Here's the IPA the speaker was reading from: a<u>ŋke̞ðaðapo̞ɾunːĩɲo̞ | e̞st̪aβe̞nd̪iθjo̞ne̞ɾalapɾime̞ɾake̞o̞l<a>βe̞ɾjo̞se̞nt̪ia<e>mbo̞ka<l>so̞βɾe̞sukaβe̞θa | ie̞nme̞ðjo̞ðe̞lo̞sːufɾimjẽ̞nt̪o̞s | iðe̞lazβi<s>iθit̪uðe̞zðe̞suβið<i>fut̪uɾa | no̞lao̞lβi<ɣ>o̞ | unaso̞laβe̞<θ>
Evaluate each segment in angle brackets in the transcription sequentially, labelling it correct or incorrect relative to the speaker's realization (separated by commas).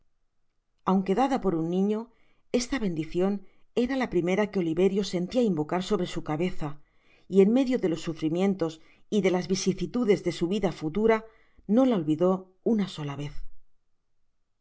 incorrect, incorrect, incorrect, incorrect, correct, incorrect, incorrect, correct